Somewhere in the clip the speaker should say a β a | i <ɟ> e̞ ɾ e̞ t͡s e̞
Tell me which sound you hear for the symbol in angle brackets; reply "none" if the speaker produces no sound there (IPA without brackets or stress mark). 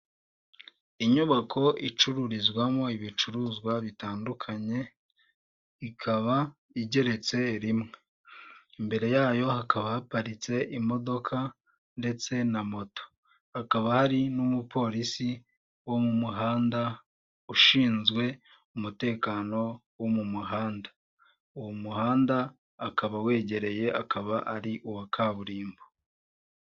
ɟ